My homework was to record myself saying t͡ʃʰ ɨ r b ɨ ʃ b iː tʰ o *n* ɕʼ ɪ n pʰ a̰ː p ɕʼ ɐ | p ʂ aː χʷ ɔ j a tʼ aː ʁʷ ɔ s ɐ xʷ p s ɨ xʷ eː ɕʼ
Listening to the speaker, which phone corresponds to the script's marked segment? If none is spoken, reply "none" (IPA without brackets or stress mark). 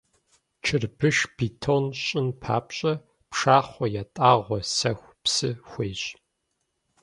n